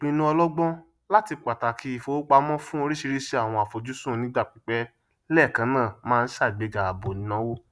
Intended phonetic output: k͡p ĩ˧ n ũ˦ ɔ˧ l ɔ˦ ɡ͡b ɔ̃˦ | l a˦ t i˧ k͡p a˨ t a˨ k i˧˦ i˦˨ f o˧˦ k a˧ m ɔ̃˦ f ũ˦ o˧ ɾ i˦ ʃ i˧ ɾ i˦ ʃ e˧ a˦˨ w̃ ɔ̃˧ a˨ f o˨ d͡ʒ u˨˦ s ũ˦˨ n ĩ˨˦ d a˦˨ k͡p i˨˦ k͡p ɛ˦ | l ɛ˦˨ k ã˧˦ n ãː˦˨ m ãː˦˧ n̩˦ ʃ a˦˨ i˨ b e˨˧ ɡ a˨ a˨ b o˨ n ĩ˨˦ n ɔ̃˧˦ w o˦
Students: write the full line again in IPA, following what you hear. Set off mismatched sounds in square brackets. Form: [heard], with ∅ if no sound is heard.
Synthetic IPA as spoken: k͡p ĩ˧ n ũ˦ ɔ˧ l ɔ˦ ɡ͡b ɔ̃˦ | l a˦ t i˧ k͡p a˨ t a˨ k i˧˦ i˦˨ f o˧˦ [k͡p] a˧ m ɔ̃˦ f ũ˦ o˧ ɾ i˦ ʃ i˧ ɾ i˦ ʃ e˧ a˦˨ w̃ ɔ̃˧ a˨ f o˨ d͡ʒ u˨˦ s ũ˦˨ n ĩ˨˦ d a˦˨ k͡p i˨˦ k͡p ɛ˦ | l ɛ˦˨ k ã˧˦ n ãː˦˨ m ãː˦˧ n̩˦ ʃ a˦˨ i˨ [ɡ͡b] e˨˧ ɡ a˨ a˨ b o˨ n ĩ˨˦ n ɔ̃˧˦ w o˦